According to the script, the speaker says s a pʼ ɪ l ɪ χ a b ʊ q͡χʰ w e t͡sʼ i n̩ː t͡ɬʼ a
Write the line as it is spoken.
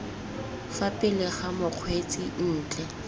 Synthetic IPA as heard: f a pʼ ɪ l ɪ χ a m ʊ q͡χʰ w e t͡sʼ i n̩ː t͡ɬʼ ɛ